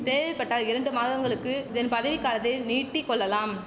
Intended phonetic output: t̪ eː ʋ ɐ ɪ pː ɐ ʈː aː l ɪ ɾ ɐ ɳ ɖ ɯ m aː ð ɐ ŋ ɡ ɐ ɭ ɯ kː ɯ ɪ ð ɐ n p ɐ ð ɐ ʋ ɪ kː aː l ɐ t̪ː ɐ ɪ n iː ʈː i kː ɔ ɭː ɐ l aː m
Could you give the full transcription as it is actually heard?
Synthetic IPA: t̪ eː ʋ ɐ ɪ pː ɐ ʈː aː l ɪ ɾ ɐ ɳ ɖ ɯ m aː ð ɐ ŋ ɡ ɐ ɭ ɯ kː ɯ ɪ ð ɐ n p ɐ ð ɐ ʋ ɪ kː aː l ɐ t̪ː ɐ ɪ n iː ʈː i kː ɔ ɭː ɐ l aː m